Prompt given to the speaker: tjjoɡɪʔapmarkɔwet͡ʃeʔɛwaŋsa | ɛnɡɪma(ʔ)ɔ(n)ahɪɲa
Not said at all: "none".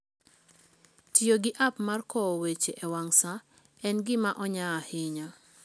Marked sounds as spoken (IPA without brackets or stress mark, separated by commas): ʔ, ɲ